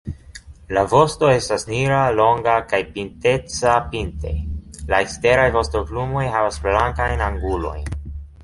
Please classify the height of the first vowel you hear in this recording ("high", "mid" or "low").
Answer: low